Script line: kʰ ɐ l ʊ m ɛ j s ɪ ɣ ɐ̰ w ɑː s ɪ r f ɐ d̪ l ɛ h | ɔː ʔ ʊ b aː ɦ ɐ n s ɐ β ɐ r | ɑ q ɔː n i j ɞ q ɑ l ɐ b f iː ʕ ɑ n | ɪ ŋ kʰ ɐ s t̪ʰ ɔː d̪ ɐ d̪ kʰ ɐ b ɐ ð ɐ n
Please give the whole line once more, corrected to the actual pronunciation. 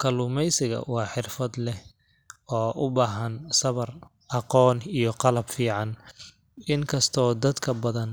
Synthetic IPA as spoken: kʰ ɐ l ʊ m ɛ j s ɪ ɣ ɐ̰ w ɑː ħ ɪ r f ɐ d̪ l ɛ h | ɔː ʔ ʊ b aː ɦ ɐ n s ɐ β ɐ r | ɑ q ɔː n i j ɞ q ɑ l ɐ b f iː ʕ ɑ n | ɪ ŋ kʰ ɐ s t̪ʰ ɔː d̪ ɐ d̪ kʰ ɐ b ɐ ð ɐ n